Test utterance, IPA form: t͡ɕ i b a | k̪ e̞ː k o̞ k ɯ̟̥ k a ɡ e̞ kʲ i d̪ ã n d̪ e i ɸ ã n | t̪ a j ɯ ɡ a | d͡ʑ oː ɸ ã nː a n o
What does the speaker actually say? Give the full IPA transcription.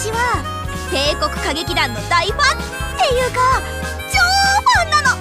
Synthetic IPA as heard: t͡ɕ i β a | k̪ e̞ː k o̞ k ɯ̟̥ k a ɡ e̞ kʲ i d̪ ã n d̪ a i ɸ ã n | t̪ e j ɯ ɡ a | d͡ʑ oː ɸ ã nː a n o